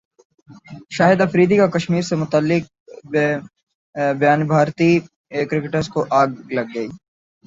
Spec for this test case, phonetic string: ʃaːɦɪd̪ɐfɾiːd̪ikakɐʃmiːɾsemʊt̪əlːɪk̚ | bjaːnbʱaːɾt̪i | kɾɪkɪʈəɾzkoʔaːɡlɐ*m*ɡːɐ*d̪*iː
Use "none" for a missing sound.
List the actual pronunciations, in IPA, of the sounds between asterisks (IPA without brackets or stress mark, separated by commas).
none, none